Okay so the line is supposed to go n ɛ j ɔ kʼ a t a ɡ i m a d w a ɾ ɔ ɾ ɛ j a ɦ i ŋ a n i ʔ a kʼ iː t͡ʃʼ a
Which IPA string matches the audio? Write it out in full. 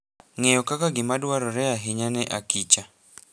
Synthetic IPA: ŋ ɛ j ɔ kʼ a k a ɡ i m a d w a ɾ ɔ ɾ ɛ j a ɦ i ɲ a n ɛ ʔ a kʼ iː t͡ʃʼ a